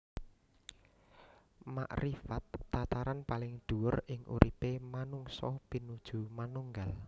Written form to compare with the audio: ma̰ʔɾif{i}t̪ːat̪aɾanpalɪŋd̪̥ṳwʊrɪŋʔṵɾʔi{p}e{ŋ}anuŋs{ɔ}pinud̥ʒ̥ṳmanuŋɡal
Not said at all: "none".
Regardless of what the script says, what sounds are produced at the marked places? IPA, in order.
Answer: a, p, m, ɔ

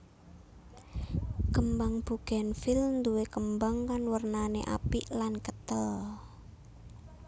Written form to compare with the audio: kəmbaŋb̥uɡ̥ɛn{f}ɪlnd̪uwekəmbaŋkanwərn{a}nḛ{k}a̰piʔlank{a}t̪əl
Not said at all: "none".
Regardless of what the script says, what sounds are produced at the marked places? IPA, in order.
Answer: f, a, ʔ, ə

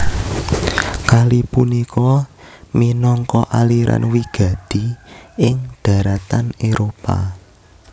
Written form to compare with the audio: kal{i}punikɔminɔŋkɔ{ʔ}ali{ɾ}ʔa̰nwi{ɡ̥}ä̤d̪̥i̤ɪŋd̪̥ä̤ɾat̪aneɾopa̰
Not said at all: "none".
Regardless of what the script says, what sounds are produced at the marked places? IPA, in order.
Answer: i, ʔ, ɾ, ɡ̥

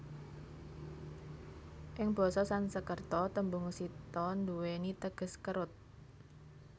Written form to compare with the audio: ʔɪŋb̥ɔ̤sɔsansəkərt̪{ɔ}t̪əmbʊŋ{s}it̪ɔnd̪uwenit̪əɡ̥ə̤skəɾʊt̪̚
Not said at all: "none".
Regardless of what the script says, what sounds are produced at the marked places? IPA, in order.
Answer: ɔ, s

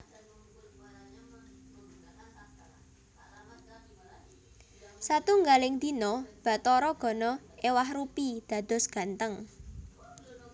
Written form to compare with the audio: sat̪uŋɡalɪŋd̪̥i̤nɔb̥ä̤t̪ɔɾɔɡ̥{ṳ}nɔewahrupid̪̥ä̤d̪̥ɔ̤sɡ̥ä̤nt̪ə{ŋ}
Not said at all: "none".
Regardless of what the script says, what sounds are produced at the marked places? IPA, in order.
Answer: ɔ̤, ŋ

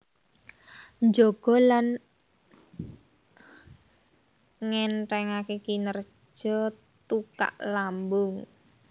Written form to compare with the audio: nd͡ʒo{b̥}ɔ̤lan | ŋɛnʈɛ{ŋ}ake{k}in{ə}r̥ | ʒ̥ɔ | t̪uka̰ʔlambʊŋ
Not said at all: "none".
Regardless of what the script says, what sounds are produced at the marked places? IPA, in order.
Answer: ɡ̥, ŋ, k, ə

